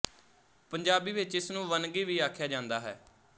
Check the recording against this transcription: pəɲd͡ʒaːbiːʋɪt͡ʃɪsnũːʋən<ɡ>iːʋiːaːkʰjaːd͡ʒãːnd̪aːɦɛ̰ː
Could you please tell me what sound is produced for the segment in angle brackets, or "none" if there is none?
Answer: ɡ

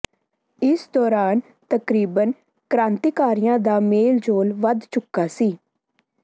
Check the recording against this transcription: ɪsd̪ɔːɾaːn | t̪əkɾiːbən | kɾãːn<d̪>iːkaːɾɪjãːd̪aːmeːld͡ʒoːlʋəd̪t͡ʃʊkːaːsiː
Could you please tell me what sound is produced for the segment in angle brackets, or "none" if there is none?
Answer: t̪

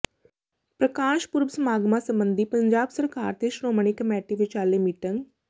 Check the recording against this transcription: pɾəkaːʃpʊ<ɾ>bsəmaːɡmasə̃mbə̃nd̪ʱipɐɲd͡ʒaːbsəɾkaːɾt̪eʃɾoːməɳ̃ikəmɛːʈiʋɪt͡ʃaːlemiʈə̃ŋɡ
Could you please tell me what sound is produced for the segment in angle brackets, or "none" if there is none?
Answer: ɾ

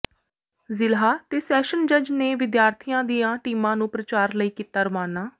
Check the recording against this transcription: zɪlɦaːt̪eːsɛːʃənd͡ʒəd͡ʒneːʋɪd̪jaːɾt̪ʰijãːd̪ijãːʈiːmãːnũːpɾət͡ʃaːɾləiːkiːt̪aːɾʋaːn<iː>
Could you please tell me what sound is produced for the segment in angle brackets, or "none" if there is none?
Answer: aː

